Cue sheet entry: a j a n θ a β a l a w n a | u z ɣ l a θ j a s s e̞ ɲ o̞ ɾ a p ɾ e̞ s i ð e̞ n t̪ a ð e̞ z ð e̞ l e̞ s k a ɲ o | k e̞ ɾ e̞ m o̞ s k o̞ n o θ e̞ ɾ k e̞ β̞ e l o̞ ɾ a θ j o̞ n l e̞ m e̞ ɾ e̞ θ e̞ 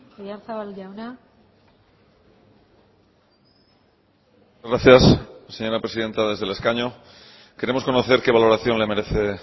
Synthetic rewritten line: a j a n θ a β a l a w n a | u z ɣ ɾ a θ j a s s e̞ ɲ o̞ ɾ a p ɾ e̞ s i ð e̞ n t̪ a ð e̞ z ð e̞ l e̞ s k a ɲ o | k e̞ ɾ e̞ m o̞ s k o̞ n o θ e̞ ɾ k e̞ β̞ a l o̞ ɾ a θ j o̞ n l e̞ m e̞ ɾ e̞ θ e̞